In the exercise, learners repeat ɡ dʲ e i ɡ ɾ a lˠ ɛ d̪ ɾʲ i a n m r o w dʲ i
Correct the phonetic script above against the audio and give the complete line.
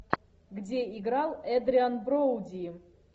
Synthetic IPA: ɡ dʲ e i ɡ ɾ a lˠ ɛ d̪ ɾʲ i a n b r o w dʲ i